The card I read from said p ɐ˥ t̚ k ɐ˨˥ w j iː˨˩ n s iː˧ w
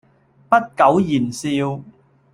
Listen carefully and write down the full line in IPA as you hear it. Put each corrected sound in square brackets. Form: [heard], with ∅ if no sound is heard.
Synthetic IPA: p ɐ˥ t̚ k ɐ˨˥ w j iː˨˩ n s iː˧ w